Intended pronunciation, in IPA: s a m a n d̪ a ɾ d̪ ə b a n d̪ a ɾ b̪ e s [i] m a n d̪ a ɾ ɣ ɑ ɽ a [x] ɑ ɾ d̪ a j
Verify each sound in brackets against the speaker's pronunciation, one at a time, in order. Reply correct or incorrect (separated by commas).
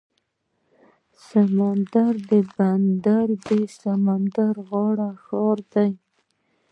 incorrect, correct